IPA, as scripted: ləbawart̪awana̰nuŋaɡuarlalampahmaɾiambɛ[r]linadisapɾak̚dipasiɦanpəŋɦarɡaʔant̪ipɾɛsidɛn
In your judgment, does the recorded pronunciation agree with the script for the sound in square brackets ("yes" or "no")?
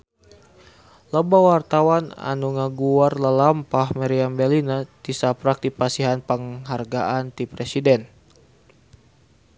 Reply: no